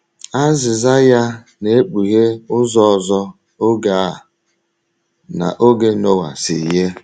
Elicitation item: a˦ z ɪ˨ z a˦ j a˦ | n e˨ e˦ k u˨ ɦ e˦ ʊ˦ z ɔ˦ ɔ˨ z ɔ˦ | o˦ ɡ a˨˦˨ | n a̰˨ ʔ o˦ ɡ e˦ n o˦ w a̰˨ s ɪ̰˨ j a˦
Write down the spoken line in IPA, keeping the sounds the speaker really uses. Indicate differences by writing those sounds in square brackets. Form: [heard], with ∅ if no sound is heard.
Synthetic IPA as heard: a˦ z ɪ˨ z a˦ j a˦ | n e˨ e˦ [k͡p] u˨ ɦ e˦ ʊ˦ z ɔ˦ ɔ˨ z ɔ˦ | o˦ ɡ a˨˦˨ | n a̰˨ ʔ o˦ ɡ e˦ n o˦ w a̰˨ s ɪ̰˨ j [e˦]